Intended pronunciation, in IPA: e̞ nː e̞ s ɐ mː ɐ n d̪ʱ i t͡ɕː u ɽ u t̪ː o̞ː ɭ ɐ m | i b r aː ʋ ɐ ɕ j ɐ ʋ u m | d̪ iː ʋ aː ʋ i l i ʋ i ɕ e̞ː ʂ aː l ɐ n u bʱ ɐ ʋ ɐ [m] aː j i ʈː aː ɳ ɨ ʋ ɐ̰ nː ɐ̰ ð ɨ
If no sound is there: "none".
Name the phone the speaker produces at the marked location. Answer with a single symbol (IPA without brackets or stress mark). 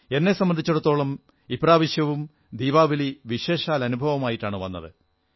m